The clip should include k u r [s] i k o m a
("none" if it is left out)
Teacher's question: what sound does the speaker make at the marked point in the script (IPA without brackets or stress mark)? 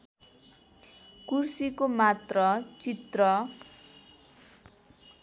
s